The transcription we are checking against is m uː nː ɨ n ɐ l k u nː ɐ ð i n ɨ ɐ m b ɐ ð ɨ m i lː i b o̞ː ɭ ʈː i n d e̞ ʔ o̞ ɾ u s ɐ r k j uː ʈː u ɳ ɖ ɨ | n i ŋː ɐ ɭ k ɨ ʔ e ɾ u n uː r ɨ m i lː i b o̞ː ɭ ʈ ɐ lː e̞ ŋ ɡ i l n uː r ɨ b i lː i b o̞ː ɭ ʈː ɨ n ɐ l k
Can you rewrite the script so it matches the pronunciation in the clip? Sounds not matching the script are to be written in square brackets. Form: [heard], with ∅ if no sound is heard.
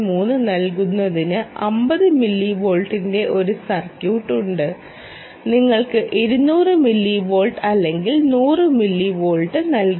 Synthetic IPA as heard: m uː nː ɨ n ɐ l k u nː ɐ ð i n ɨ ɐ m b ɐ ð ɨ m i lː i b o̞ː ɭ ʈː i n d e̞ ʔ o̞ ɾ u s ɐ r k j uː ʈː u ɳ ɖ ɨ | n i ŋː ɐ ɭ k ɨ ʔ e ɾ u n uː r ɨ m i lː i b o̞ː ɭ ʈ ɐ lː e̞ ŋ ɡ i l n uː r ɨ [m] i lː i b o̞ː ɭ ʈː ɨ n ɐ l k